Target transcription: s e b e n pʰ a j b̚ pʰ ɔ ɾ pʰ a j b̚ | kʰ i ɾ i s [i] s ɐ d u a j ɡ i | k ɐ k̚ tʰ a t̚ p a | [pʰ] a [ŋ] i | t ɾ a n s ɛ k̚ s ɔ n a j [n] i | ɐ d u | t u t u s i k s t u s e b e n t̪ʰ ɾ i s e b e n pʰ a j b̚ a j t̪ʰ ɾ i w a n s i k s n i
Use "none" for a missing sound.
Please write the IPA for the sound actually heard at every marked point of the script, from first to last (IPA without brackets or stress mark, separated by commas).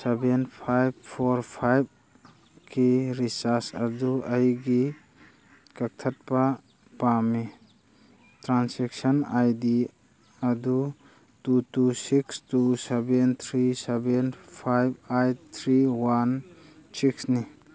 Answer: a, p, m, d